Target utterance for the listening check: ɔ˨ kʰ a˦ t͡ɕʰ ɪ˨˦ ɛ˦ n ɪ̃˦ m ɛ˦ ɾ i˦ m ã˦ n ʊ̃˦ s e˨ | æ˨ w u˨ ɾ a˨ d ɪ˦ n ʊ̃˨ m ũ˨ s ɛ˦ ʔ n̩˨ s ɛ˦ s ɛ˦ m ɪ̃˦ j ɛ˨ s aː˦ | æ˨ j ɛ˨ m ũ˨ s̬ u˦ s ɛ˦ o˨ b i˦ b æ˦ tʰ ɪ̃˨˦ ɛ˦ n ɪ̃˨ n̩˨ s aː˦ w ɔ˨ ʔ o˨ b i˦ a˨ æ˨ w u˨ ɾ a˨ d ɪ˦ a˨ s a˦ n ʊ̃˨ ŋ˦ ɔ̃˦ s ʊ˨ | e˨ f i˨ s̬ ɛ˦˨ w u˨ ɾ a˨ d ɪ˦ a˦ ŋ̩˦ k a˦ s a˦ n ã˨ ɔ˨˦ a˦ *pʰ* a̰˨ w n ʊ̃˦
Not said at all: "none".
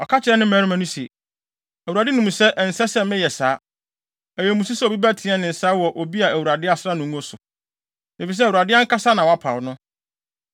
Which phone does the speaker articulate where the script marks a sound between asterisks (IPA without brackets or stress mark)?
pʰ